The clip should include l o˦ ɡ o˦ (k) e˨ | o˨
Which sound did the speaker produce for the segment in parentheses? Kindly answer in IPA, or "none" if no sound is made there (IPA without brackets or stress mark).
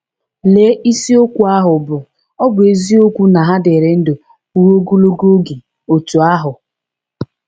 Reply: ɡ